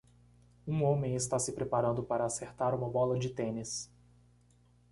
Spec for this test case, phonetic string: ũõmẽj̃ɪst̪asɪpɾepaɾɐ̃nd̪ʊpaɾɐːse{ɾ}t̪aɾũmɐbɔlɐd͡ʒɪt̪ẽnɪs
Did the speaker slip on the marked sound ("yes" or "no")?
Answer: no